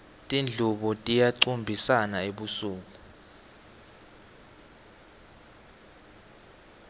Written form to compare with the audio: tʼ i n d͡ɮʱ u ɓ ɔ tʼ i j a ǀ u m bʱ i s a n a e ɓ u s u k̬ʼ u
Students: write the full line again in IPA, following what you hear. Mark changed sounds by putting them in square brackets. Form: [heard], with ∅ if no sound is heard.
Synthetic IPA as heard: tʼ i n d͡ɮʱ u ɓ ɔ tʼ i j a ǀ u m bʱ i s a n a e ɓ u s [uː] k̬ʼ u